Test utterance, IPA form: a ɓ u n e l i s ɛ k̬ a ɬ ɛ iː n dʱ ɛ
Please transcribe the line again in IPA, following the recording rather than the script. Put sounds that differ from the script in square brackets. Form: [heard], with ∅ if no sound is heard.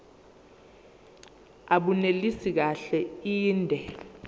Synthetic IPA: a ɓ u n e l i s [i] k̬ a ɬ ɛ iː n dʱ ɛ